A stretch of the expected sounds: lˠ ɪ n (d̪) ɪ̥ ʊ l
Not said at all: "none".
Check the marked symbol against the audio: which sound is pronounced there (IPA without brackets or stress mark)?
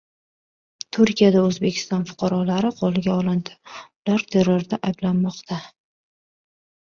d̪